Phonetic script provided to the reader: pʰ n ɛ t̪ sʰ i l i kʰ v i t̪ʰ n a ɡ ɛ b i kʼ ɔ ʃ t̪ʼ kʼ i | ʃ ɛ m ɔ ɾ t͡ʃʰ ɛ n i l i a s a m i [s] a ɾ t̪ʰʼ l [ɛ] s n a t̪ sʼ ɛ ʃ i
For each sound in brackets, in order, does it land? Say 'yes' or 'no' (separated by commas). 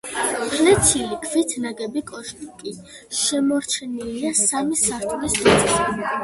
yes, no